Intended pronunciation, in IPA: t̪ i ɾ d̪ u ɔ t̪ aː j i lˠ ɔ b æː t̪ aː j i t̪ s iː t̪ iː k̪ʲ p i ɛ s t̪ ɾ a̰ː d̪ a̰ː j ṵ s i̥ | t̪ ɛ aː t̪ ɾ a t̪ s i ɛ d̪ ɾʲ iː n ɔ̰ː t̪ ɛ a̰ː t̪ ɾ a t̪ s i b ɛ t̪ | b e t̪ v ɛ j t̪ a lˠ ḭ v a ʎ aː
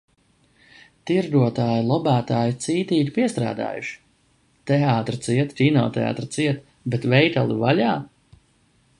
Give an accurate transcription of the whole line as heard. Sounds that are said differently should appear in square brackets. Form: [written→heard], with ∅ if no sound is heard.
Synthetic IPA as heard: t̪ i ɾ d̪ u ɔ t̪ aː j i lˠ ɔ b æː t̪ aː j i t̪ s iː t̪ iː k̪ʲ p i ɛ s t̪ ɾ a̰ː d̪ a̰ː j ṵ [s→ʃ] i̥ | t̪ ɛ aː t̪ ɾ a t̪ s i ɛ [d̪→t̪] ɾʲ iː n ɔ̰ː t̪ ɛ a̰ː t̪ ɾ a t̪ s i [b→∅] ɛ t̪ | b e t̪ v ɛ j t̪ a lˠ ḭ v a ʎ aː